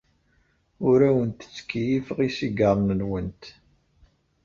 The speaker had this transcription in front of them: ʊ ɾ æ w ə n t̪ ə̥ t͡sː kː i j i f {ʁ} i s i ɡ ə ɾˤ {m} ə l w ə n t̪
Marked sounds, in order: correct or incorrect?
correct, incorrect: n

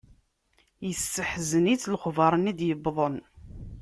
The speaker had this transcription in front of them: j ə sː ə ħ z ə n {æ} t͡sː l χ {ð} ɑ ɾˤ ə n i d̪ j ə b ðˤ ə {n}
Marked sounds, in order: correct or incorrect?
incorrect: i, incorrect: v, correct

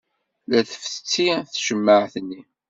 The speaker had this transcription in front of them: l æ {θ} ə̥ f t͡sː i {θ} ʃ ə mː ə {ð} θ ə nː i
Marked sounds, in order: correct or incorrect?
correct, correct, incorrect: ʕ

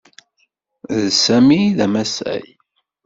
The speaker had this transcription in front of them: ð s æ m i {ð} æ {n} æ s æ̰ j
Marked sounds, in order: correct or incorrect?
correct, incorrect: m

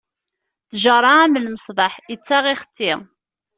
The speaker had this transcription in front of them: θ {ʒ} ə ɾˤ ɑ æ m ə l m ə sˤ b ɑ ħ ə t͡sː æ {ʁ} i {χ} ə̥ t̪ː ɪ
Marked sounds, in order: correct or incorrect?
correct, correct, correct

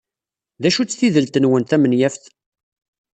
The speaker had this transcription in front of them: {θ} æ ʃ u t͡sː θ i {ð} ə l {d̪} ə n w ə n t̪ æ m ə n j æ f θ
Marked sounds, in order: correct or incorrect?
incorrect: ð, correct, incorrect: t̪

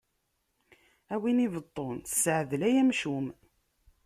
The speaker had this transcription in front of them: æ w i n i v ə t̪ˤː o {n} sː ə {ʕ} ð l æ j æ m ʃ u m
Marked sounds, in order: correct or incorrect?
correct, correct

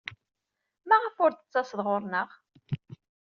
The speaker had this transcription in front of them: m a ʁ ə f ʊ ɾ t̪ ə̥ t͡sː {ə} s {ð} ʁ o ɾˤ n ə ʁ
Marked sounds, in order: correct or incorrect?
incorrect: ɑ, correct

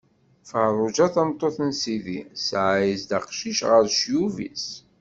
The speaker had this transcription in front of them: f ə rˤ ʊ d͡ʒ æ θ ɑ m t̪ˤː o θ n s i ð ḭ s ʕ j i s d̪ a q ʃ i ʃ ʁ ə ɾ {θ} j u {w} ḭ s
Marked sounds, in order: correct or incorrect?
incorrect: ʃ, incorrect: v

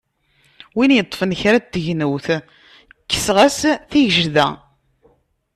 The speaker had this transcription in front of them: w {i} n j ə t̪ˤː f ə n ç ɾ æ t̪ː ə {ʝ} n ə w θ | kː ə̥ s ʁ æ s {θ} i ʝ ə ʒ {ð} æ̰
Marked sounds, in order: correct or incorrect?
correct, correct, correct, correct

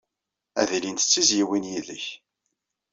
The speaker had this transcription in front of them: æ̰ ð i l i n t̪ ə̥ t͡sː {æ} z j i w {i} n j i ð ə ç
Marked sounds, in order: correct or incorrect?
incorrect: i, correct

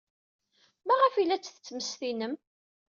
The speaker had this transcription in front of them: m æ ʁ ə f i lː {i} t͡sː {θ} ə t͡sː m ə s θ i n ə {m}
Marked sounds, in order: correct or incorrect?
incorrect: æ, correct, correct

